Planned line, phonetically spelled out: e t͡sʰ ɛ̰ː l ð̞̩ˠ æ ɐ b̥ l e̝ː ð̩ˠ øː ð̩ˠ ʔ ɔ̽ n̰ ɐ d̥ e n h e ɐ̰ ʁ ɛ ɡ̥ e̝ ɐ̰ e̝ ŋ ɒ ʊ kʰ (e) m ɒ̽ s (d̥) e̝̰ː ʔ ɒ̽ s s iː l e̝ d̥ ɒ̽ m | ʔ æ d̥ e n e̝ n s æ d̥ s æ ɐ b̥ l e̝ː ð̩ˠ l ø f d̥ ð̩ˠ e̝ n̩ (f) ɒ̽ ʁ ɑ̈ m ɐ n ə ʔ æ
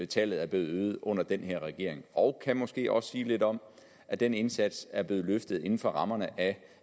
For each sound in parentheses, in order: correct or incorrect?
incorrect: æ, incorrect: ɡ̥, correct

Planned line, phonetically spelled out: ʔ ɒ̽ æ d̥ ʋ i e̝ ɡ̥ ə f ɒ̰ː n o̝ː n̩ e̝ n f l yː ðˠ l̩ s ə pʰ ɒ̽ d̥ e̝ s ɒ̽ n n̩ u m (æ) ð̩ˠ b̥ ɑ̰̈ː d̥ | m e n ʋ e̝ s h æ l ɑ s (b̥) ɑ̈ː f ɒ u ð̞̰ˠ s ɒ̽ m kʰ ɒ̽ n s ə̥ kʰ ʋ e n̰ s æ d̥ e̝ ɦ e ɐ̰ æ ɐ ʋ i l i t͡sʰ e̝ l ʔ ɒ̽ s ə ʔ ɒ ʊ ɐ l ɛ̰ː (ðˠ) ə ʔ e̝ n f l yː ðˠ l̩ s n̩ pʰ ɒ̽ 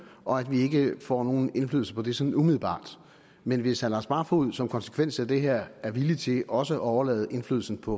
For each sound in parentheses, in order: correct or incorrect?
incorrect: i, correct, correct

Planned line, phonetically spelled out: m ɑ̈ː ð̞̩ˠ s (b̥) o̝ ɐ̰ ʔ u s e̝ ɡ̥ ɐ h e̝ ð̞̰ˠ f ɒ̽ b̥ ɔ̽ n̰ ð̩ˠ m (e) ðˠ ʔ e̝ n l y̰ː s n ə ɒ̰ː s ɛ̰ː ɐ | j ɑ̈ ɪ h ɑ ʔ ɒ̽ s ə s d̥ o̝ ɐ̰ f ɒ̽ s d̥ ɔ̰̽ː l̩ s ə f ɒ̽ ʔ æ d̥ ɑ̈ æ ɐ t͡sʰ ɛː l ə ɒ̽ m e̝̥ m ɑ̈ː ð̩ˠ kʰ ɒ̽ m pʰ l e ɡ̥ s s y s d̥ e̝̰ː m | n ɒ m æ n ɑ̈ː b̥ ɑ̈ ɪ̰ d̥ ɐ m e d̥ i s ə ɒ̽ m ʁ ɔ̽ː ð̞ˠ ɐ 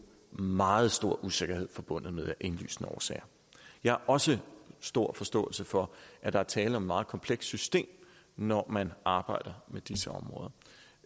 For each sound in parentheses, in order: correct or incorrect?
incorrect: d̥, correct

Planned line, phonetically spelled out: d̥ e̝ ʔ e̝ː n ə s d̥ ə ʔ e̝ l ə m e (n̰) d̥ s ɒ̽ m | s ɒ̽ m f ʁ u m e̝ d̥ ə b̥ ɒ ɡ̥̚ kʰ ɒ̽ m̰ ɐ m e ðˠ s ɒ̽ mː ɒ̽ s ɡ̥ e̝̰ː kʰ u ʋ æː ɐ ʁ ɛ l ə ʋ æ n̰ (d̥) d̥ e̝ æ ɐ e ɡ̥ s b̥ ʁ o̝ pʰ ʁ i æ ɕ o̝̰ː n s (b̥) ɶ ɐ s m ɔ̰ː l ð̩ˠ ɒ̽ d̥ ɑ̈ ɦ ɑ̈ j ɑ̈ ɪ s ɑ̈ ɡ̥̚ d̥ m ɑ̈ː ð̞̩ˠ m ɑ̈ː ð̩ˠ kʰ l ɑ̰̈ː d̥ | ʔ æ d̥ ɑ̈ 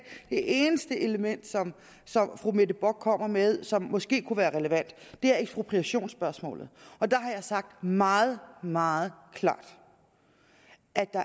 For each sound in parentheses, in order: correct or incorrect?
correct, correct, correct

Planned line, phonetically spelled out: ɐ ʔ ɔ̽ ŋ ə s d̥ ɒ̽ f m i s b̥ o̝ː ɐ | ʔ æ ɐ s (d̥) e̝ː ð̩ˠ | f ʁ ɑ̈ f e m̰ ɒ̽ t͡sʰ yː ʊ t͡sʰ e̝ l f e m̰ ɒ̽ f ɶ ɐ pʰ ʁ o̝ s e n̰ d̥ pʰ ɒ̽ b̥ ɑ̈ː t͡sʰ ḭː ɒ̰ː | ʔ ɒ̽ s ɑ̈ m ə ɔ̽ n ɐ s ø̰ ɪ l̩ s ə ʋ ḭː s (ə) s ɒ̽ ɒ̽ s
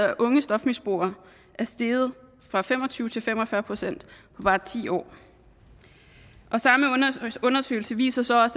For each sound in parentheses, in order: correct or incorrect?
correct, incorrect: ɐ

